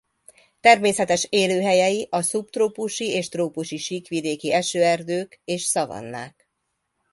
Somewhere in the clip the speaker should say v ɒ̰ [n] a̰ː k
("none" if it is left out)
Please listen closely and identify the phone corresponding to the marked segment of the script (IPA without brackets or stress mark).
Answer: nː